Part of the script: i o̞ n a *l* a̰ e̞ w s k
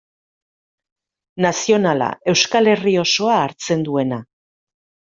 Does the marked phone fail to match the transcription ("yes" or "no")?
no